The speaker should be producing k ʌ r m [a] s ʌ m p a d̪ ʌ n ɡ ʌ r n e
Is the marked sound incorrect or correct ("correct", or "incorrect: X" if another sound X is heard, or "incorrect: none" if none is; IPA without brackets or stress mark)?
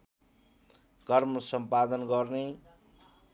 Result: incorrect: ʌ